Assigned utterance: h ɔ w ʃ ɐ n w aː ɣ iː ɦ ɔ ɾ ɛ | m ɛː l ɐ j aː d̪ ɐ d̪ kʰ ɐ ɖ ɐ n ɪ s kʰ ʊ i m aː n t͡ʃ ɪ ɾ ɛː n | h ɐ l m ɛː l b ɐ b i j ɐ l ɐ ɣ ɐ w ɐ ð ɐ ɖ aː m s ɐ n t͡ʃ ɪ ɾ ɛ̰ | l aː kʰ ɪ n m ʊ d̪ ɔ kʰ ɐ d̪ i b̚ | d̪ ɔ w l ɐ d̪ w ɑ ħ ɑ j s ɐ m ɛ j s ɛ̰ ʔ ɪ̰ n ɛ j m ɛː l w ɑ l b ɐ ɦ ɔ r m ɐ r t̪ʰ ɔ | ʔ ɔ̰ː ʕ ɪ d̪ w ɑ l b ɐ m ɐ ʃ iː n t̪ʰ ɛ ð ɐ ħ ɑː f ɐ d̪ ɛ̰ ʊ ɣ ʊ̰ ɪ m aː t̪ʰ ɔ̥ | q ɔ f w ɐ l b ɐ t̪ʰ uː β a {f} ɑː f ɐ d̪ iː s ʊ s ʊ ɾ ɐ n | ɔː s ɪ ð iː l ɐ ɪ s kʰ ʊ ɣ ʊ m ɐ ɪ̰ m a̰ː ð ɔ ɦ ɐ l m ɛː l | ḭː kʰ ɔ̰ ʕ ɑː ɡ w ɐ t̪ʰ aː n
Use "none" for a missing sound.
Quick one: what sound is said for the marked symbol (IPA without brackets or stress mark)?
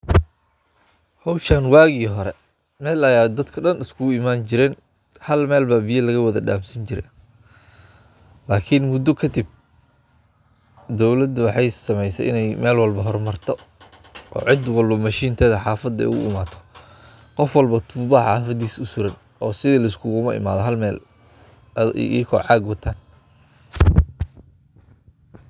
ħ